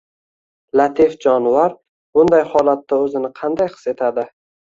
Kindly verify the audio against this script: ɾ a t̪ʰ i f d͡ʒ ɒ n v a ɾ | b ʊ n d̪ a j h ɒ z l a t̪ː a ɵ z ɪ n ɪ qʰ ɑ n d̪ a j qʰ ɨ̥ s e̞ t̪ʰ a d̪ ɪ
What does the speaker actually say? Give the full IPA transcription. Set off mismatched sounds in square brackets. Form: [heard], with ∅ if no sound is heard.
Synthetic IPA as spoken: [l] a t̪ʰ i f d͡ʒ ɒ n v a ɾ | b ʊ n d̪ a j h ɒ [∅] l a t̪ː a ɵ z ɪ n ɪ qʰ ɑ n d̪ a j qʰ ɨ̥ s e̞ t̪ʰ a d̪ ɪ